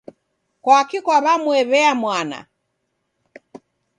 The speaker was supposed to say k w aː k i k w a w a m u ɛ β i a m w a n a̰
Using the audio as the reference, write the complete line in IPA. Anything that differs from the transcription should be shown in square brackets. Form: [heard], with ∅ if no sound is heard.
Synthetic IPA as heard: k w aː k i k w a [β] a m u ɛ β [ɛ] a m w a n a̰